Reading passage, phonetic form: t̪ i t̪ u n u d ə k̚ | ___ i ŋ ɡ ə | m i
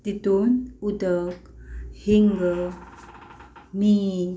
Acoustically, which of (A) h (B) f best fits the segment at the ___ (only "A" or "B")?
A